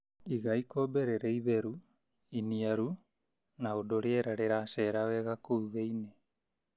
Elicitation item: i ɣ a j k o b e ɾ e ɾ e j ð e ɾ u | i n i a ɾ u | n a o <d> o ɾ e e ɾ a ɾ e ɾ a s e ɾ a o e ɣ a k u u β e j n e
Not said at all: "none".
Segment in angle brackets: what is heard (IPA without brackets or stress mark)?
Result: d